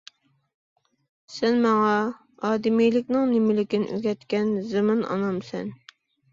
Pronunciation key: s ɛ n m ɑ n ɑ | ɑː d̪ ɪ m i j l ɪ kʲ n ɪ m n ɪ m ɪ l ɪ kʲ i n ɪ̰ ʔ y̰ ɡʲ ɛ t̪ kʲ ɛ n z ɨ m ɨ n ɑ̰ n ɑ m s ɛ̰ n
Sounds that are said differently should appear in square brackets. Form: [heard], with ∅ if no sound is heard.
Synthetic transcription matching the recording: s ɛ n m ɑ [ŋ] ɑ | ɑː d̪ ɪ m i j l ɪ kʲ n ɪ [ŋ] n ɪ m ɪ l ɪ kʲ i n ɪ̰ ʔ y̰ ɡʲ ɛ t̪ kʲ ɛ n z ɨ m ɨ n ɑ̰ n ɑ m s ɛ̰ n